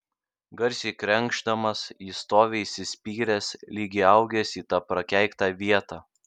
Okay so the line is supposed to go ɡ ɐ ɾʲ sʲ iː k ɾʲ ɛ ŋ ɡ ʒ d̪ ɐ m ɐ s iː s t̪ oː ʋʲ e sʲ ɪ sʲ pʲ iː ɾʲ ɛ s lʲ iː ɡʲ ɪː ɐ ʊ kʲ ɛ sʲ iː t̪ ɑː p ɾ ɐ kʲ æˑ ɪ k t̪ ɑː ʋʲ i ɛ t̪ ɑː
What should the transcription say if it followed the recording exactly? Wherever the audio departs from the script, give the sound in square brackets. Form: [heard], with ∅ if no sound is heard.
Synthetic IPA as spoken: ɡ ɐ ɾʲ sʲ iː k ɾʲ ɛ ŋ ɡ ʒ d̪ ɐ m ɐ s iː s t̪ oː ʋʲ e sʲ ɪ sʲ pʲ iː ɾʲ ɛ s lʲ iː ɡʲ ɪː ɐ ʊ [ɡʲ] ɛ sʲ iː t̪ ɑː p ɾ ɐ kʲ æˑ ɪ k t̪ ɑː ʋʲ i ɛ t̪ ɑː